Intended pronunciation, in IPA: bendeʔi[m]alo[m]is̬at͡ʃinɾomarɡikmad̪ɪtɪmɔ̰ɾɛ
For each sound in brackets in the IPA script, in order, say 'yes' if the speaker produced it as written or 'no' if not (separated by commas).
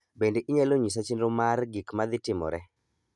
no, no